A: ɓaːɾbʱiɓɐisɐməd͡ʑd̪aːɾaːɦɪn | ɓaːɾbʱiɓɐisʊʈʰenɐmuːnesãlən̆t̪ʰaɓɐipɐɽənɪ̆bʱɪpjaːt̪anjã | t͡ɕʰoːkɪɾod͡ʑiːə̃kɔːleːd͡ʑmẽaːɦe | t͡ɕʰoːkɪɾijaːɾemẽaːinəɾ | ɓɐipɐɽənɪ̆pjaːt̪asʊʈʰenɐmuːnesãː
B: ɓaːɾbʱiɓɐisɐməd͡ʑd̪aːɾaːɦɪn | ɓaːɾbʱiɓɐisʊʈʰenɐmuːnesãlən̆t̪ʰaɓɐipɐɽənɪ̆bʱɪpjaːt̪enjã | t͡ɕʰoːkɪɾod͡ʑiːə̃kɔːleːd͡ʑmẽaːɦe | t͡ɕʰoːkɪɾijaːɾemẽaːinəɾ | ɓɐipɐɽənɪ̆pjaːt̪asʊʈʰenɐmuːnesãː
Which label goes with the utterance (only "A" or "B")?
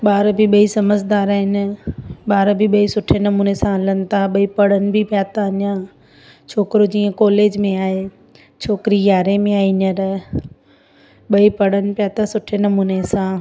A